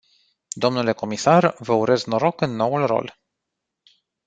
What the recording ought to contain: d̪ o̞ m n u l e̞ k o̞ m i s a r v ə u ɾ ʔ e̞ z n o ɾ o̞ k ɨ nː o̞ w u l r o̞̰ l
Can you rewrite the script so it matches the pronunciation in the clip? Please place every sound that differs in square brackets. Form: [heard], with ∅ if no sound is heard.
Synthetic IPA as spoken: d̪ o̞ m n u l e̞ k o̞ m i s a r v ə u ɾ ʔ e̞ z n o ɾ o̞ k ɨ nː o̞ w u l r o̞̰ l